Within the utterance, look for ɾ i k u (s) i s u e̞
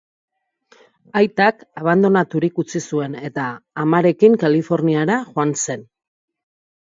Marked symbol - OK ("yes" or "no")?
no